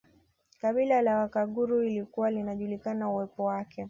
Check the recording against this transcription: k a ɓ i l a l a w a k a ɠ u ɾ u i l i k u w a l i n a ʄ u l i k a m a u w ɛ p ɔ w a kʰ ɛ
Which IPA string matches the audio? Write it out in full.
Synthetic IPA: k a ɓ i l a l a w a k a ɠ u ɾ u i l i k u w a l i n a ʄ u l i k a n a u w ɛ p ɔ w a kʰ ɛ